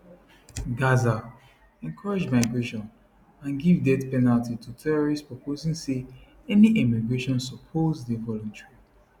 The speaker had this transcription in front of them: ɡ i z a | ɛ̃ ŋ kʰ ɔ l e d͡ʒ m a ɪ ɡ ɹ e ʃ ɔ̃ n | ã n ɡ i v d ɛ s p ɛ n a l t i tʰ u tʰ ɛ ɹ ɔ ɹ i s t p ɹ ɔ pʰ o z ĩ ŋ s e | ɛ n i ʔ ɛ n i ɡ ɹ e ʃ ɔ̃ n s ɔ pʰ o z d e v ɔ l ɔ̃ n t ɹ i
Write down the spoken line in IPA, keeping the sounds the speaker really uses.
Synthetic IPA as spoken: ɡ a z a | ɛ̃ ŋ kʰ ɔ ɹ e d͡ʒ m a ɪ ɡ ɹ e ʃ ɔ̃ n | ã n ɡ i v d ɛ t p ɛ n a l t i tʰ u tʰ ɛ ɹ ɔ ɹ i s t p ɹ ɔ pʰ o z ĩ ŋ s e | ɛ n i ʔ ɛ m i ɡ ɹ e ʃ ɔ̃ n s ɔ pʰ o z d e v ɔ l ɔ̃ n t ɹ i